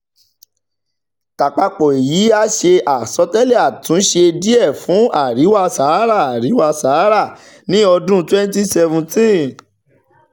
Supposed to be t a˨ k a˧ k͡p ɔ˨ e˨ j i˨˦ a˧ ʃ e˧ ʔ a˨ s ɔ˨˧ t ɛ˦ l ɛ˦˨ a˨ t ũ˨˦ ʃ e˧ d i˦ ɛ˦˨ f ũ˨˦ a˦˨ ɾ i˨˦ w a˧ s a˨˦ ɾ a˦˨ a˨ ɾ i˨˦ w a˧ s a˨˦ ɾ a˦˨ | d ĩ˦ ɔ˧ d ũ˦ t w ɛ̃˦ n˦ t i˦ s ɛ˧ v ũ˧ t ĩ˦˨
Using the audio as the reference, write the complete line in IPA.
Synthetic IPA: t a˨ k͡p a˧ k͡p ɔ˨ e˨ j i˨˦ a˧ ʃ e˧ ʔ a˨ s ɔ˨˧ t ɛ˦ l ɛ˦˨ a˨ t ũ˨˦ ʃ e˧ d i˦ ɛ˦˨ f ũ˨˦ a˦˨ ɾ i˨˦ w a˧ s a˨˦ ɾ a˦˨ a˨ ɾ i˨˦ w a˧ s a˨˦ ɾ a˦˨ | n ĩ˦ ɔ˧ d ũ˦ t w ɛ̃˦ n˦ t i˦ s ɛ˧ v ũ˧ t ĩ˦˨